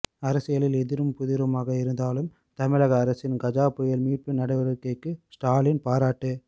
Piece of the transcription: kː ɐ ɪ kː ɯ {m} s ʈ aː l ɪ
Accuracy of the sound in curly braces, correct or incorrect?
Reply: incorrect